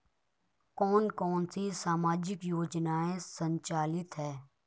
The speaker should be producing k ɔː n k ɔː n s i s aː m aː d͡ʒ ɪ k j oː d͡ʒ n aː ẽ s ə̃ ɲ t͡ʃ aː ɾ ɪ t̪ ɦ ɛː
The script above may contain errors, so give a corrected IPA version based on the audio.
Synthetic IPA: k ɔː n k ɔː n s i s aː m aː d͡ʒ ɪ k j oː d͡ʒ n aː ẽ s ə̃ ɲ t͡ʃ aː l ɪ t̪ ɦ ɛː